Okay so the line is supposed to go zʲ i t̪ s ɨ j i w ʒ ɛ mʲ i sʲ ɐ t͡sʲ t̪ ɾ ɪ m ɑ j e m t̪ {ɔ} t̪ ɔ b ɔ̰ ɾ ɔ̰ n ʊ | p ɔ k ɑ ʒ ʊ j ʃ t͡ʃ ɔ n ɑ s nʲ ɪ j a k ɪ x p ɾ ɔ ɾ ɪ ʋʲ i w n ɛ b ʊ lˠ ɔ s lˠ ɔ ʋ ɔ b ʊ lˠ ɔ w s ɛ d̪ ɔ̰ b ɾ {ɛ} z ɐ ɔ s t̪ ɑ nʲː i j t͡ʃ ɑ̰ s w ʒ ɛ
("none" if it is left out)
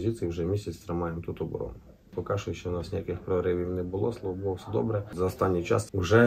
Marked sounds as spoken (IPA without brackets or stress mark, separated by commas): u, ɛ